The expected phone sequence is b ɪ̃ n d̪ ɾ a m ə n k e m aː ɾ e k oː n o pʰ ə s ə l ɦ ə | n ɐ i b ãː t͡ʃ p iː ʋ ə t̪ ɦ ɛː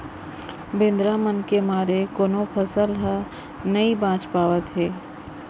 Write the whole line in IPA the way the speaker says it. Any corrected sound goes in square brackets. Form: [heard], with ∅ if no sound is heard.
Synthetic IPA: b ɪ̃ n d̪ ɾ a m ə n k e m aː ɾ e k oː n o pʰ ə s ə l ɦ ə | n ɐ i b ãː t͡ʃ p [aː] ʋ ə t̪ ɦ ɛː